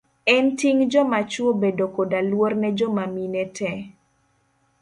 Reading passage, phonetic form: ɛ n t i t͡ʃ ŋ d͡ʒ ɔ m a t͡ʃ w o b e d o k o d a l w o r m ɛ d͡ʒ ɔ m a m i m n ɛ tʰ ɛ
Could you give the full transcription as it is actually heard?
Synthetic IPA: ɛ n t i ŋ d͡ʒ ɔ m a t͡ʃ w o b e d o k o d a l w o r n ɛ d͡ʒ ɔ m a m i n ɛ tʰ ɛ